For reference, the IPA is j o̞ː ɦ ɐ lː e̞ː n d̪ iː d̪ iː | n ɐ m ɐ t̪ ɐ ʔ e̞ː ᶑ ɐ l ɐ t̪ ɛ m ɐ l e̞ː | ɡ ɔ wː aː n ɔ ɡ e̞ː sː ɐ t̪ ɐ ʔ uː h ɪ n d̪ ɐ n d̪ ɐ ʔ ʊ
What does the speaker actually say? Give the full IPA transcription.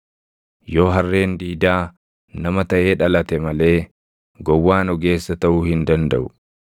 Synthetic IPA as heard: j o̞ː ɦ ɐ rː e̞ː n d̪ iː d̪ aː | n ɐ m ɐ t̪ ɐ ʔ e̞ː ᶑ ɐ l ɐ t̪ ɛ m ɐ l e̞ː | ɡ ɔ wː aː n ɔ ɡ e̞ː sː ɐ t̪ ɐ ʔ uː h ɪ n d̪ ɐ n d̪ ɐ ʔ ʊ